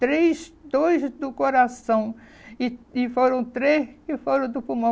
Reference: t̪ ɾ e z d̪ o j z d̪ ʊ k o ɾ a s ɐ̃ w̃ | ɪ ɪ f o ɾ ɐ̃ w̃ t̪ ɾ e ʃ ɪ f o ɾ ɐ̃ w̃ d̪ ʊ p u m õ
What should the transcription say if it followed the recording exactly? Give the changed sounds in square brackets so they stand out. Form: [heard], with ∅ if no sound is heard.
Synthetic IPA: t̪ ɾ e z d̪ o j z d̪ ʊ k o ɾ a s ɐ̃ w̃ | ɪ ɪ f o ɾ ɐ̃ w̃ t̪ ɾ e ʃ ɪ f o ɾ ɐ̃ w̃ d̪ ʊ p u m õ